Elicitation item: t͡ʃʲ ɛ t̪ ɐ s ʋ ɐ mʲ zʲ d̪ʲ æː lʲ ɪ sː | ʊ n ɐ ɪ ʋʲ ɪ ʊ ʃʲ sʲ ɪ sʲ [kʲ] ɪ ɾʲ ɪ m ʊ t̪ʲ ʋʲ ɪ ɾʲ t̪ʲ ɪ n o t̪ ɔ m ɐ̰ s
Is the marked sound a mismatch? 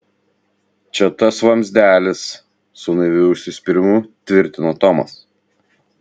yes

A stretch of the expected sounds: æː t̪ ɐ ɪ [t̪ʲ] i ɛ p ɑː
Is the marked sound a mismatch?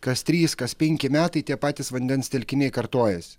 no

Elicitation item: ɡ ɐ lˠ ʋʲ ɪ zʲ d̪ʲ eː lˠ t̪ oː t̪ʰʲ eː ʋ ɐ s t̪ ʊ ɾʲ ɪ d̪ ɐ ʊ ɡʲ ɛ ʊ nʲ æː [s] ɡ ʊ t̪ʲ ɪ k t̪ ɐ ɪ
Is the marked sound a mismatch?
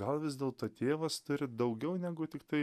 yes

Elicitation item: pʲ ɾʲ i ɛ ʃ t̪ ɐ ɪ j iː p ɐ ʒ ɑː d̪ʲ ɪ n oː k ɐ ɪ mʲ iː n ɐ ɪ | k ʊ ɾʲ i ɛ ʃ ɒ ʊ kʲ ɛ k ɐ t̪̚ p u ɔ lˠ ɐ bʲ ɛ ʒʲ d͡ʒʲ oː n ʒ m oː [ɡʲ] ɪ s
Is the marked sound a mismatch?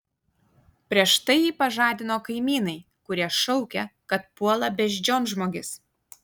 no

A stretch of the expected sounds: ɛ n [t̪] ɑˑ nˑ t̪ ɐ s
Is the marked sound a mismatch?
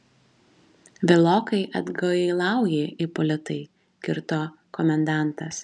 yes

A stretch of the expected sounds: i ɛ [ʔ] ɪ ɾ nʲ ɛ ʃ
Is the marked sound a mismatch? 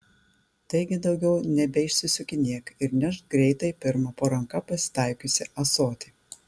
yes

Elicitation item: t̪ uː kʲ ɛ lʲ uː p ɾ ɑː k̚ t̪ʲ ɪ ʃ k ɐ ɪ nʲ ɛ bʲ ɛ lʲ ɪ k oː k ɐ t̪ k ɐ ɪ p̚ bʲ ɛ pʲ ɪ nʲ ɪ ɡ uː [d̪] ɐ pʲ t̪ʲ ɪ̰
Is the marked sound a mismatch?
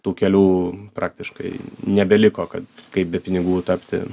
yes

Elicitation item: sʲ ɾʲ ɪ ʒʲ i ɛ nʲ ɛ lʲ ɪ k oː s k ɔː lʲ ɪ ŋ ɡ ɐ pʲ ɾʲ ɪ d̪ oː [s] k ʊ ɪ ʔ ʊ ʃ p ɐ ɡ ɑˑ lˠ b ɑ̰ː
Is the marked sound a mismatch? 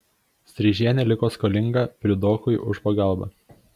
yes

